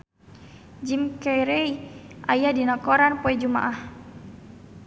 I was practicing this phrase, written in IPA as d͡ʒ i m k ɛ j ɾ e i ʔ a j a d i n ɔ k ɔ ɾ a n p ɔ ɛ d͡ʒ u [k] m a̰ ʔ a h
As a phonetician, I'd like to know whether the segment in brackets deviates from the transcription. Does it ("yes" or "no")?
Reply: yes